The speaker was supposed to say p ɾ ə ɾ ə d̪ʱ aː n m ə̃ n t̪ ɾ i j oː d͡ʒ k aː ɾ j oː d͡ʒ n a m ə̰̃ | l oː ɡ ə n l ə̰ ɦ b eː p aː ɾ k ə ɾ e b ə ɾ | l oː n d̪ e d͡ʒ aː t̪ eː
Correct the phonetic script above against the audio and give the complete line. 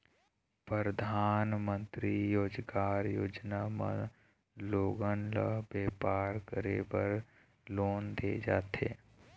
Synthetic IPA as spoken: p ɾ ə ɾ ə d̪ʱ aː n m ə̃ n t̪ ɾ i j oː d͡ʒ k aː ɾ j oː d͡ʒ n a m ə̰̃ | l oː ɡ ə n l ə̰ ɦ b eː p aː ɾ k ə ɾ e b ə ɾ | l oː n d̪ e d͡ʒ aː t̪ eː